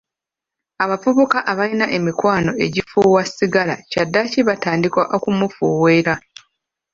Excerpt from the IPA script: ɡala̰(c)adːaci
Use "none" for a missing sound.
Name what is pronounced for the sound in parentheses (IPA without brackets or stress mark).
c